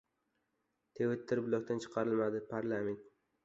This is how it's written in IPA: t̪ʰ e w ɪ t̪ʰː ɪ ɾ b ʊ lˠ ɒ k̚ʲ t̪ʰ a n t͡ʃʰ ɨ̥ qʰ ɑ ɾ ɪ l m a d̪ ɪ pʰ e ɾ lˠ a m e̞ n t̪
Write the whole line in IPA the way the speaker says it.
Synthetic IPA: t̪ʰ e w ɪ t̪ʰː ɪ ɾ b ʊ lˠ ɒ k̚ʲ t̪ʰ a n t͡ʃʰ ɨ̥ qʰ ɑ ɾ ɪ l m a d̪ ɪ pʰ a ɾ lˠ a m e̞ n t̪